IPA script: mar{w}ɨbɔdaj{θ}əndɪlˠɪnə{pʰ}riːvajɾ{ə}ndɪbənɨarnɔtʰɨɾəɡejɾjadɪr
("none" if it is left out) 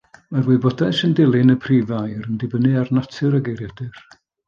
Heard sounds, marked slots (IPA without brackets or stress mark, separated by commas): w, s, pʰ, ə